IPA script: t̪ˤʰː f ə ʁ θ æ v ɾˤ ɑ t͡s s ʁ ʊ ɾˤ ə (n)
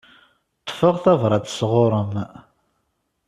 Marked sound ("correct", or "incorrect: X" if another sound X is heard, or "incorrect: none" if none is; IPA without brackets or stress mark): incorrect: m